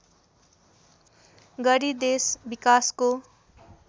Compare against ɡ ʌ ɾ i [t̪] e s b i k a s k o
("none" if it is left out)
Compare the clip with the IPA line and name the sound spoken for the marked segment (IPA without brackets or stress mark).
d̪